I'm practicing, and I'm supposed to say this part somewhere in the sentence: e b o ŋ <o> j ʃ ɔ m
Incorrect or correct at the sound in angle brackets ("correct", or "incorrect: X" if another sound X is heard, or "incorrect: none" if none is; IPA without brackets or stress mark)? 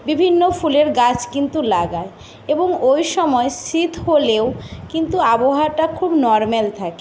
correct